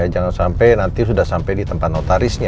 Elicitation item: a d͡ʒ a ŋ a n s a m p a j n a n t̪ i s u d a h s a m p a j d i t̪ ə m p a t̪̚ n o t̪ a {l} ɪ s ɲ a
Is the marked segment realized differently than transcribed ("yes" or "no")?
yes